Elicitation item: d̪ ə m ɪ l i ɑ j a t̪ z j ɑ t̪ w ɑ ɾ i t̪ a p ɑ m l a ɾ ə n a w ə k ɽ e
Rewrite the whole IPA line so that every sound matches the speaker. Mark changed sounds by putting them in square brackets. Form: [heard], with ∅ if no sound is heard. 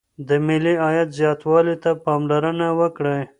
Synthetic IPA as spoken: d̪ ə m ɪ l i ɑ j a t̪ z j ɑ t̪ w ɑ [l] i t̪ a p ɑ m l a ɾ ə n a w ə k ɽ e